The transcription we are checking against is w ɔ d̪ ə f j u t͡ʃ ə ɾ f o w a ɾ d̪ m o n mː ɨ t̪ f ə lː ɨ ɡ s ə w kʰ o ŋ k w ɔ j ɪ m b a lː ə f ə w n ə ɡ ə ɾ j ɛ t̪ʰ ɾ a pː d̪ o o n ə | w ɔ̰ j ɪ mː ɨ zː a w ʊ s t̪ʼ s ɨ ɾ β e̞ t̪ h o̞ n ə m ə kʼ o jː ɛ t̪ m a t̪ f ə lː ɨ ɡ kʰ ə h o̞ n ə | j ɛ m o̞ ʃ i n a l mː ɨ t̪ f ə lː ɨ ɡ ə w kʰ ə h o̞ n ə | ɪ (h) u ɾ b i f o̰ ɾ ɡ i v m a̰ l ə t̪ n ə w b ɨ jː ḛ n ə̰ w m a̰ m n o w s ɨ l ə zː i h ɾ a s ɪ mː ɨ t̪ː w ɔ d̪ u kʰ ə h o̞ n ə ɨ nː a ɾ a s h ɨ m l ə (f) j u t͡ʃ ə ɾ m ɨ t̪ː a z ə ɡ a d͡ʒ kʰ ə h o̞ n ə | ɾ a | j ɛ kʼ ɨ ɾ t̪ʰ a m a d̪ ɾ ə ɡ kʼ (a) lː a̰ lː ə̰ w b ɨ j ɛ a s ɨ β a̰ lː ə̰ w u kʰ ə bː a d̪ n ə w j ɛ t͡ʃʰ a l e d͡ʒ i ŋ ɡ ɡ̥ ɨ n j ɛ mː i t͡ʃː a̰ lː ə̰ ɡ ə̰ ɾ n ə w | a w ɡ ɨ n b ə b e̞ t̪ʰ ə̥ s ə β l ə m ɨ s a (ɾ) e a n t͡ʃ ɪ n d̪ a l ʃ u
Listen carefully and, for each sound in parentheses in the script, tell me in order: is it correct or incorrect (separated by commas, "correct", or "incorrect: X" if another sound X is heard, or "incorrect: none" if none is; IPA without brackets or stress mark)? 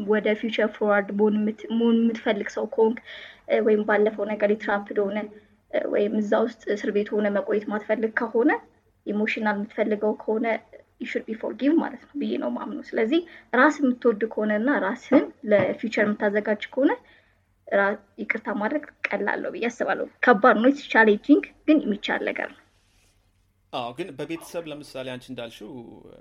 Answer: incorrect: ʃ, correct, incorrect: ə, incorrect: l